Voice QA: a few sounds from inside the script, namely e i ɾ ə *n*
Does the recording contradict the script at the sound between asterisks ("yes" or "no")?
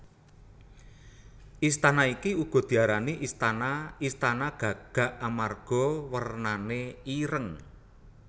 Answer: yes